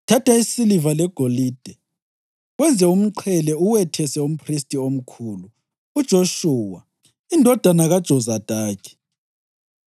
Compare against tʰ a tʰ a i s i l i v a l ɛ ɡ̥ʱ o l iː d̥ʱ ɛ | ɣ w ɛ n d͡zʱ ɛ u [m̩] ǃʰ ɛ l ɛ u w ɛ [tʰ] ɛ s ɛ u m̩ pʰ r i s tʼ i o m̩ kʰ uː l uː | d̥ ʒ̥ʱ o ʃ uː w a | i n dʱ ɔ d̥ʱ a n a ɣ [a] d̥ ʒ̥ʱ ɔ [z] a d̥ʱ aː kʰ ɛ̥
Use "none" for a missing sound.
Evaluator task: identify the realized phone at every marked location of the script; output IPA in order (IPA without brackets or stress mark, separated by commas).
m̩, tʰ, a, z